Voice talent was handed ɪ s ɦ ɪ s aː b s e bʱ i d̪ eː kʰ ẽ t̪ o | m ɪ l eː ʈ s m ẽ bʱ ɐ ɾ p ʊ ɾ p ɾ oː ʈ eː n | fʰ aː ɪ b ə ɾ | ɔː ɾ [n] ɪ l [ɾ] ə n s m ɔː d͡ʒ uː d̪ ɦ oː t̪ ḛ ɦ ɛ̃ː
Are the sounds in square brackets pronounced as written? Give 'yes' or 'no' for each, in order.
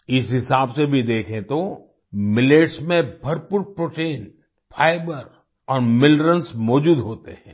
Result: no, yes

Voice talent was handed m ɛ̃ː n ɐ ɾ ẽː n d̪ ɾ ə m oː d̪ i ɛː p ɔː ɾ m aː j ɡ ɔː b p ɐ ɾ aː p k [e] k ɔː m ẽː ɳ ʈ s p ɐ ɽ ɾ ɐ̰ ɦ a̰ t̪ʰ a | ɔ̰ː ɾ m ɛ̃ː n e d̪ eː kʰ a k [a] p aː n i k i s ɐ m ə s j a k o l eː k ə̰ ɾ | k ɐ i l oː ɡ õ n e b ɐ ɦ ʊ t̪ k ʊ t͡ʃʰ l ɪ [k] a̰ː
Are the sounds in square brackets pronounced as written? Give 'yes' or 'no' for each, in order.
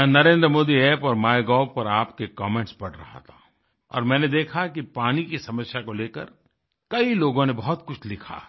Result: yes, no, no

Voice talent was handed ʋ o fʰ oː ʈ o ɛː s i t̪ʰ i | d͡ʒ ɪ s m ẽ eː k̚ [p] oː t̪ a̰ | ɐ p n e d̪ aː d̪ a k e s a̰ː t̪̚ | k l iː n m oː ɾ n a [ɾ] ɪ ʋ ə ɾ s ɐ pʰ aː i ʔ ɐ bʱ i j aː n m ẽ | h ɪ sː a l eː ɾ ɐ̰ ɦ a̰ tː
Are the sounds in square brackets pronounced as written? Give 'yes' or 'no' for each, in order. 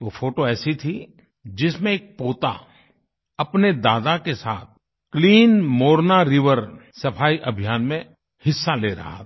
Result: yes, yes

